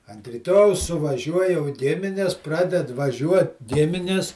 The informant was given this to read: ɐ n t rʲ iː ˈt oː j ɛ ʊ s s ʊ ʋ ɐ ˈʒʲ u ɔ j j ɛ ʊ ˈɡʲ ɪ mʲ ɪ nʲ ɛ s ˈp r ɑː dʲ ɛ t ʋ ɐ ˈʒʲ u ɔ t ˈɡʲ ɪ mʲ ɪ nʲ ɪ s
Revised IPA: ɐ n t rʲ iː ˈt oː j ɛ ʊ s s ʊ ʋ ɐ ˈʒʲ u ɔ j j ɛ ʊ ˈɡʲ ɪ mʲ ɪ nʲ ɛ s ˈp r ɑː dʲ ɛ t ʋ ɐ ˈʒʲ u ɔ t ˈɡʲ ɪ mʲ ɪ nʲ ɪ s